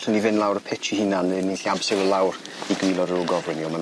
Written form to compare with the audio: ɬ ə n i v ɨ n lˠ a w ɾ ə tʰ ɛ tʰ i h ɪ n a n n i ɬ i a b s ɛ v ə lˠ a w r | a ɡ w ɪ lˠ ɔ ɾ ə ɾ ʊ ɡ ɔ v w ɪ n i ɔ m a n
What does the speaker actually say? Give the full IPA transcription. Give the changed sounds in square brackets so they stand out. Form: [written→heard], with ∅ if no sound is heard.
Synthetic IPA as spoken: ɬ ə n i v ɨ n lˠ a w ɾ ə [tʰ→pʰ] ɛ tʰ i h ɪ n a n n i ɬ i a b s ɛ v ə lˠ a w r | [a→i] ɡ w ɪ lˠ ɔ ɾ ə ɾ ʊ ɡ ɔ v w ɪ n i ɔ m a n